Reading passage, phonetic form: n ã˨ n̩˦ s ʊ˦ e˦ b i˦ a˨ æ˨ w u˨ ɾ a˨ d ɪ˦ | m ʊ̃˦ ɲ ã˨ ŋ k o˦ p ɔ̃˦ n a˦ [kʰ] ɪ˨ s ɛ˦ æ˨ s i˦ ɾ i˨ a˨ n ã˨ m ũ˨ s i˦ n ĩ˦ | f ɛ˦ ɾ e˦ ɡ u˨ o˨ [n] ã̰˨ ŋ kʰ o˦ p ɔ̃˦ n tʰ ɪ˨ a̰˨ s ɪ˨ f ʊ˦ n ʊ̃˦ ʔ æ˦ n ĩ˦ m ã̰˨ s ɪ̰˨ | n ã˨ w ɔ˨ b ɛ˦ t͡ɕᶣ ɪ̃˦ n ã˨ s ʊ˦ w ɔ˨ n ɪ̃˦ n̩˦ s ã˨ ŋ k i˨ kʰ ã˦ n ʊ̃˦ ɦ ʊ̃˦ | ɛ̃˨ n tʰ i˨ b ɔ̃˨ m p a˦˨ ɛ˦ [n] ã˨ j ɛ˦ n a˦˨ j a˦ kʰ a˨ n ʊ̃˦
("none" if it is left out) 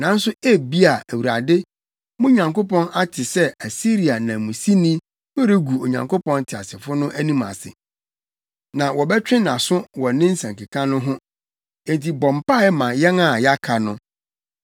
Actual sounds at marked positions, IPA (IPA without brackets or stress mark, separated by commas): tʰ, ɲ, m